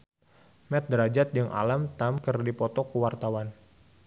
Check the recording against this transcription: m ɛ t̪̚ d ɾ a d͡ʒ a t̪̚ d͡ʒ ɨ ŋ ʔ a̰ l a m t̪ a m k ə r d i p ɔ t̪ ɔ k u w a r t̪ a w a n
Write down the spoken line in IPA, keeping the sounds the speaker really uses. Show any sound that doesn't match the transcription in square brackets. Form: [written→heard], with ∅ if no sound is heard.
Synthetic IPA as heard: m ɛ t̪̚ d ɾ a d͡ʒ a t̪̚ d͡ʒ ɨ ŋ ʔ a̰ l a m t̪ a m k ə r d i p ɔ t̪ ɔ k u w a r t̪ a w a n